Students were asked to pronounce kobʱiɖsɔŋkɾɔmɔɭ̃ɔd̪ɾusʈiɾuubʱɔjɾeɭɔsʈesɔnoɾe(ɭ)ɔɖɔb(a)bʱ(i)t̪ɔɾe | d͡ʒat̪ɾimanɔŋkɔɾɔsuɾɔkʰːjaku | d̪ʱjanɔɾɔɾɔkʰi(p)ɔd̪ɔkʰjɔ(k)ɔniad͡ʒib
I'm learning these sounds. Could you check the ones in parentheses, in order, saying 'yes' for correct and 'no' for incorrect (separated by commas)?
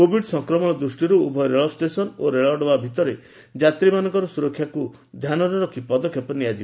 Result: yes, yes, yes, yes, no